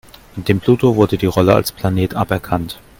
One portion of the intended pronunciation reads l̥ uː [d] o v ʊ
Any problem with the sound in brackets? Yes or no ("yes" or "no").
yes